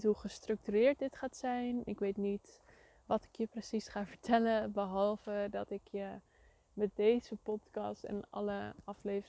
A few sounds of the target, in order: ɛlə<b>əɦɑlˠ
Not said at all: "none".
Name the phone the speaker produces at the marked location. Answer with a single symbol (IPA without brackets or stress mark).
b